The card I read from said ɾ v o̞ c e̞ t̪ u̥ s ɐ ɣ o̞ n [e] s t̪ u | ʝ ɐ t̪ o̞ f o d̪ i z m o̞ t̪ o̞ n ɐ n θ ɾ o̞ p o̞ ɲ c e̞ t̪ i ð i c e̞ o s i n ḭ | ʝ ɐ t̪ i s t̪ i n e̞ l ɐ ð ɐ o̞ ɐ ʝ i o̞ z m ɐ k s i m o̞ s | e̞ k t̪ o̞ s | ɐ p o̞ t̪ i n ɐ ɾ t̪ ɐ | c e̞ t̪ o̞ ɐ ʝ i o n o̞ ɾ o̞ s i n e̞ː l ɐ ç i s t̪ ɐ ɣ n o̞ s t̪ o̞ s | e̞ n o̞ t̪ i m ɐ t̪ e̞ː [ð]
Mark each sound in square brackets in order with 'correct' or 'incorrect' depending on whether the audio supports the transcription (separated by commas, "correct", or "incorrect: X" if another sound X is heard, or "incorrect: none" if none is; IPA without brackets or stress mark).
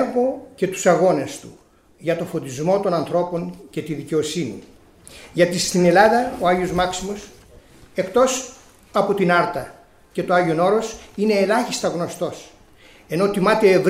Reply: correct, incorrect: v